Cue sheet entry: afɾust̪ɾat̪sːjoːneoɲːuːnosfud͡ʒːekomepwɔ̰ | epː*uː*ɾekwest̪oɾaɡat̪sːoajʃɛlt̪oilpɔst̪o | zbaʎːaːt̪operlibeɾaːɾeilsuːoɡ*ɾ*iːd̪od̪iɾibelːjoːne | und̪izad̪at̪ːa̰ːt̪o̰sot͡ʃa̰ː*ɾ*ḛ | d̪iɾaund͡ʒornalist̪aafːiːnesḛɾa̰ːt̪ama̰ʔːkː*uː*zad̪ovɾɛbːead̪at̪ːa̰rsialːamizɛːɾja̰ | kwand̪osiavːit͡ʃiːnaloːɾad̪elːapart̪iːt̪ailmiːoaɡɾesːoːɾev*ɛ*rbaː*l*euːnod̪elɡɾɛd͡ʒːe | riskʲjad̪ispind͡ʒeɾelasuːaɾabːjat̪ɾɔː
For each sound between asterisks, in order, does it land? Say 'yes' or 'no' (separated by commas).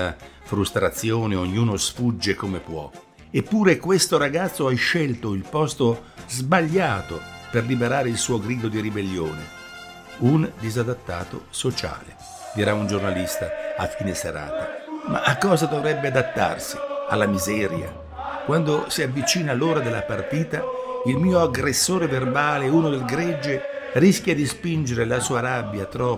yes, yes, no, no, no, yes